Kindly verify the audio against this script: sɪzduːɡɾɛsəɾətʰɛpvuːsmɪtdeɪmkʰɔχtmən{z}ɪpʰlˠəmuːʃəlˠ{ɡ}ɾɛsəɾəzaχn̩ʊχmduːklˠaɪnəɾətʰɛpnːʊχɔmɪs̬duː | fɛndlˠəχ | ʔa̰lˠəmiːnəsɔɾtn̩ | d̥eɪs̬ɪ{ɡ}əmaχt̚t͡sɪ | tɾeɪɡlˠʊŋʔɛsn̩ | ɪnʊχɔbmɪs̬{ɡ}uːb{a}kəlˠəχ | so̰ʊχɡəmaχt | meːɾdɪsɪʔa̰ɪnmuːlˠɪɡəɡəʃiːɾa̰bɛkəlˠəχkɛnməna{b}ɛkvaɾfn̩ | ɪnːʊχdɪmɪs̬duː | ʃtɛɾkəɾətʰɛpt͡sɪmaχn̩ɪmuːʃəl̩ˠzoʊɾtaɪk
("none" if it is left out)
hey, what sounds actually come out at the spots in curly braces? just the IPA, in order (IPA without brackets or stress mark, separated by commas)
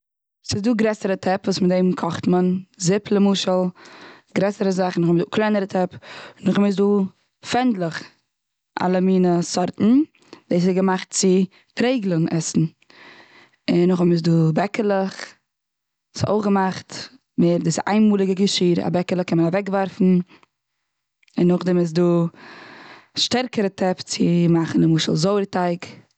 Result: z, ɡ, ɡ, d, ɛ, v